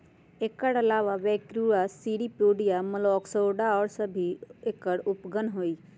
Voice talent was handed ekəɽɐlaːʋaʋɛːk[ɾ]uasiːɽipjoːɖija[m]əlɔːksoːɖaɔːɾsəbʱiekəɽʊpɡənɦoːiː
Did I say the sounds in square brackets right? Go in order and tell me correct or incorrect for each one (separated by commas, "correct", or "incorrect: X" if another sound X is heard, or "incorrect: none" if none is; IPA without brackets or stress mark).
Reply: correct, correct